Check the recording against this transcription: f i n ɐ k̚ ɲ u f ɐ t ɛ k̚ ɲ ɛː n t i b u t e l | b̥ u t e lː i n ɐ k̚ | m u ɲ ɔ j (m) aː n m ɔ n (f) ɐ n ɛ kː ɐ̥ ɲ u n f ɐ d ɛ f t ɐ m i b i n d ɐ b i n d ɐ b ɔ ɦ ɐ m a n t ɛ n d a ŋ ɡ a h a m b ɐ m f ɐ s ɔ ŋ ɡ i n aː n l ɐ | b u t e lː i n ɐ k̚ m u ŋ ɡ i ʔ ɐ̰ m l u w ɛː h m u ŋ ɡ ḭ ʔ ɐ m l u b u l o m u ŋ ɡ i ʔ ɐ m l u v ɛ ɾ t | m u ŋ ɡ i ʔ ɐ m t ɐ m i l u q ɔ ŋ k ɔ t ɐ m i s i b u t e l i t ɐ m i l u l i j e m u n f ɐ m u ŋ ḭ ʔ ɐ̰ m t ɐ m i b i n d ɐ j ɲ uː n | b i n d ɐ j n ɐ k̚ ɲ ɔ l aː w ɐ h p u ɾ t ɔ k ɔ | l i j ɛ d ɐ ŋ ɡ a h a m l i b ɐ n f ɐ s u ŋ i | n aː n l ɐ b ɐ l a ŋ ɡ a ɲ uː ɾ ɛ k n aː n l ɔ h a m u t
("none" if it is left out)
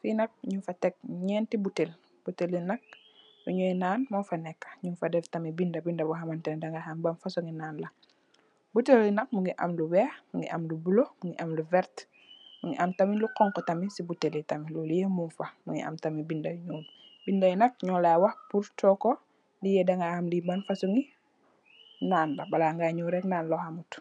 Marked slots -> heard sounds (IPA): n, f

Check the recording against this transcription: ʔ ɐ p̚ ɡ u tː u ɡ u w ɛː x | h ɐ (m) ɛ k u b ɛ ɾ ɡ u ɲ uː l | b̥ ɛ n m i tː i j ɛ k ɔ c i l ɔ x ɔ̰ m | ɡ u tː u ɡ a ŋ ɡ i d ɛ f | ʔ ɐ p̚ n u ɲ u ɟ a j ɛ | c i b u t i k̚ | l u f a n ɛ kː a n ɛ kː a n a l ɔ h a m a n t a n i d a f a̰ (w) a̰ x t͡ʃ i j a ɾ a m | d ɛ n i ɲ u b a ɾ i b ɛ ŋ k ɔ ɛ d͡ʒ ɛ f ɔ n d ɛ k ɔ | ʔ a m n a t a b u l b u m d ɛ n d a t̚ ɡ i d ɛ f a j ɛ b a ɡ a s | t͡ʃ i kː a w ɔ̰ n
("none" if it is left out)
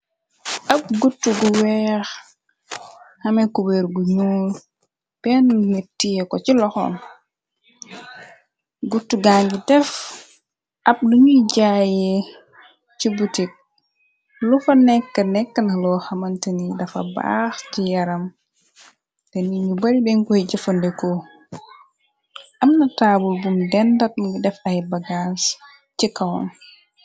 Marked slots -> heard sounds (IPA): m, b

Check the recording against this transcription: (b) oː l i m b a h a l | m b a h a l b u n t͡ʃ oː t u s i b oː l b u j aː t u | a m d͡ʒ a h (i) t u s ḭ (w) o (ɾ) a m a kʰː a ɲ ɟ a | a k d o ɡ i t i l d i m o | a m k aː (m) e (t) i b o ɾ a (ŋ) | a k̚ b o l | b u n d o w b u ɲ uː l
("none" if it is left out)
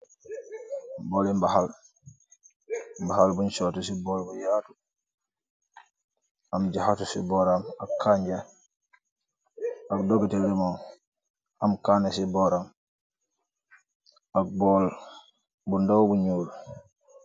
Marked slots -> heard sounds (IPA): b, a, b, ɾ, n, s, m

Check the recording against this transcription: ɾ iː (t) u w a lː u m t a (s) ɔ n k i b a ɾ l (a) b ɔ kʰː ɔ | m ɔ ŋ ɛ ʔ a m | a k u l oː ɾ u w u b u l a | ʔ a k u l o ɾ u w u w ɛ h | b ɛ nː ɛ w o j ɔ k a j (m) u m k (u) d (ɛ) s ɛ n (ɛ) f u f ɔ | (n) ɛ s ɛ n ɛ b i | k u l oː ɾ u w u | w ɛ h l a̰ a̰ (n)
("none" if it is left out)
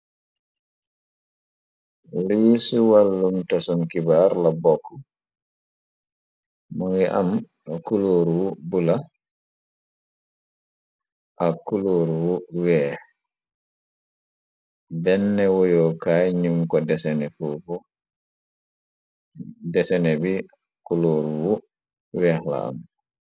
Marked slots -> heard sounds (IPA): s, s, a, ɲ, ɔ, ɛ, ɛ, d, m

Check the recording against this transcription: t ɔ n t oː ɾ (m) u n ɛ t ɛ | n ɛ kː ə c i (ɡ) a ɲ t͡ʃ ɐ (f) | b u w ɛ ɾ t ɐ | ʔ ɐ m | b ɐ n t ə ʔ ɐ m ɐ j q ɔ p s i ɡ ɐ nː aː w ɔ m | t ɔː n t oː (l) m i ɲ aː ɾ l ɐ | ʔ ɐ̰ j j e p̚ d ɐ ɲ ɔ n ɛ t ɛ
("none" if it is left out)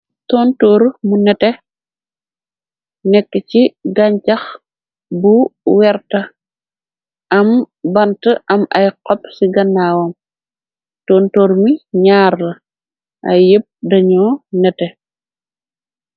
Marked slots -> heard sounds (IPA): m, ɡ, x, ɾ

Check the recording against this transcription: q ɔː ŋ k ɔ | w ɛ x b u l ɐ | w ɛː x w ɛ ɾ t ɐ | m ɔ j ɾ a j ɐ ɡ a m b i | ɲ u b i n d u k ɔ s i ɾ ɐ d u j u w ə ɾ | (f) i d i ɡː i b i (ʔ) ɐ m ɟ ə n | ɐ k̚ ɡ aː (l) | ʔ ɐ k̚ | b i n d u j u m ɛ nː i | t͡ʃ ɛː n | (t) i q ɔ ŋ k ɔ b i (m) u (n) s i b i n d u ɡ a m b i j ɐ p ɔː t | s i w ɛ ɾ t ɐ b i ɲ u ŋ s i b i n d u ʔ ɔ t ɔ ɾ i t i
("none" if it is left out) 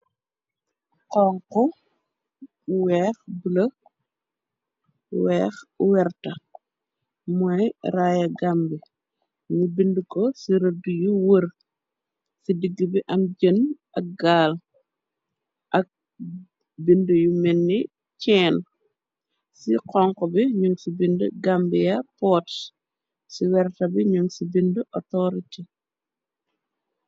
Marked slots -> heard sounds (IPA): s, ʔ, l, s, ɲ, ŋ

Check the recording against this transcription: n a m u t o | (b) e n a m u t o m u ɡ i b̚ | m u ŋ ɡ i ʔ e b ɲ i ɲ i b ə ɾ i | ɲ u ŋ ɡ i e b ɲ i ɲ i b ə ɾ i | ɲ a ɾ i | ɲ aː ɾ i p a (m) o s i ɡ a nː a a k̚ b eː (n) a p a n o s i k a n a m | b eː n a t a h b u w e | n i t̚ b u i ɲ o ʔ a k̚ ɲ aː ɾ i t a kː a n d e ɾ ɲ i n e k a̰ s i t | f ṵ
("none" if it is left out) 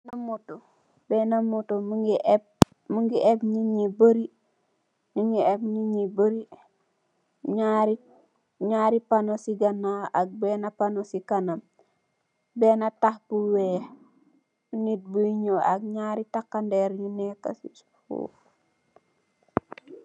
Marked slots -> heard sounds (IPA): b, n, n

